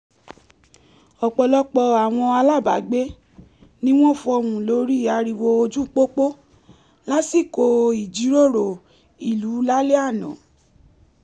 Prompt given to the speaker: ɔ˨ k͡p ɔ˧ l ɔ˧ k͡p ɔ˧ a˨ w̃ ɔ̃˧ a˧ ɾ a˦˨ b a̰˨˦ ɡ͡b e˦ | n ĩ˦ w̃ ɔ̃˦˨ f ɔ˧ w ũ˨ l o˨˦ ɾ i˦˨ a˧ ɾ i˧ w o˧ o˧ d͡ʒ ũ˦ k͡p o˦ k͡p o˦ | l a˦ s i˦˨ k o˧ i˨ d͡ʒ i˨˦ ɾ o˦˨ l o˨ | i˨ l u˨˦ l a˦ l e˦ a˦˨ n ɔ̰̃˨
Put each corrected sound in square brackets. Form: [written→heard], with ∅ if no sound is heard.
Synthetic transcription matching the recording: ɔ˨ k͡p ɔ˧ l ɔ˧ k͡p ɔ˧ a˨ w̃ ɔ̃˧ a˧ [ɾ→l] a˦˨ b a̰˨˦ ɡ͡b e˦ | n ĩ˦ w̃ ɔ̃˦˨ f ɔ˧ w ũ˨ l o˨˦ ɾ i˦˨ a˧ ɾ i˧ w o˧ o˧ d͡ʒ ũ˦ k͡p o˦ k͡p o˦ | l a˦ s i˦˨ k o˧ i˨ d͡ʒ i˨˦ ɾ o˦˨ [l→ɾ] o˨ | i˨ l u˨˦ l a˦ l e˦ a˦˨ n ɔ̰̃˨

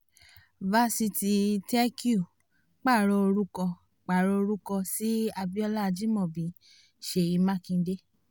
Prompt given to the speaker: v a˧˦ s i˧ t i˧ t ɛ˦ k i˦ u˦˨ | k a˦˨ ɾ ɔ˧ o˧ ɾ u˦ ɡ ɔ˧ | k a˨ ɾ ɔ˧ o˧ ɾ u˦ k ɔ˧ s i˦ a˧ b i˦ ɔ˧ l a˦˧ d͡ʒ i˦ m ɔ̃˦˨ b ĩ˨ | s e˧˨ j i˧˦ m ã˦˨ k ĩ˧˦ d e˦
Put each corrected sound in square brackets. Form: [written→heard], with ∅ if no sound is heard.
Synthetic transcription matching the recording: v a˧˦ s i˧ t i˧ t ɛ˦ k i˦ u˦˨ | [k→k͡p] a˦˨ ɾ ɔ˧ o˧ ɾ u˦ [ɡ→k] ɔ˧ | [k→k͡p] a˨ ɾ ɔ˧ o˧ ɾ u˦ k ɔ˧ s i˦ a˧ b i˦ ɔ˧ l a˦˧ d͡ʒ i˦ m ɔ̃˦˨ b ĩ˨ | [s→ʃ] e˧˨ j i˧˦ m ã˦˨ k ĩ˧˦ d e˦

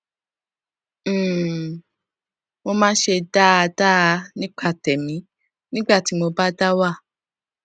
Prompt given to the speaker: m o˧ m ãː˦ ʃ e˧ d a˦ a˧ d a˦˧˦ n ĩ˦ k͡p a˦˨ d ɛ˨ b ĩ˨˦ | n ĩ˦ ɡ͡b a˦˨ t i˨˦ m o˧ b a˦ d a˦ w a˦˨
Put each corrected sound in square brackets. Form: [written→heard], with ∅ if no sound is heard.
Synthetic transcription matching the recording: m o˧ m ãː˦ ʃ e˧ d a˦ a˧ d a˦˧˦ n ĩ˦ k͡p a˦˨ [d→t] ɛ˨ [b→m] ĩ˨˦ | n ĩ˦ ɡ͡b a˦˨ t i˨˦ m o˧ b a˦ d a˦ w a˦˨

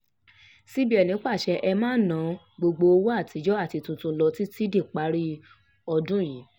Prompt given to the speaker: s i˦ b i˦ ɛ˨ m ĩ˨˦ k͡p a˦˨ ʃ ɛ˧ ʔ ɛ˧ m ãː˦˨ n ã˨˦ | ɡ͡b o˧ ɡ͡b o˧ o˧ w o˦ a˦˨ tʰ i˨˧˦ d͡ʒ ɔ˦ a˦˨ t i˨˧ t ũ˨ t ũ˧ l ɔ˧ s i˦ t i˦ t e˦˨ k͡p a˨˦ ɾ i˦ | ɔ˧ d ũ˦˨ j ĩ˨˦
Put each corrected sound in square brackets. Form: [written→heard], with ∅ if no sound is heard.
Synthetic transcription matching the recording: s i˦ b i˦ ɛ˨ [m→n] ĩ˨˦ k͡p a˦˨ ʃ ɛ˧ ʔ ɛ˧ m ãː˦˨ n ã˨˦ | ɡ͡b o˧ ɡ͡b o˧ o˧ w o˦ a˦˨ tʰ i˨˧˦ d͡ʒ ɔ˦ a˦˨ t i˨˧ t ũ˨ t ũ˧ l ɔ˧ [s→t] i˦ t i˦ [t→d] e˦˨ k͡p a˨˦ ɾ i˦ | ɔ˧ d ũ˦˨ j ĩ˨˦

